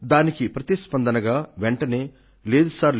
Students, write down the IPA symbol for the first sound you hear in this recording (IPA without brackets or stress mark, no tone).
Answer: d̪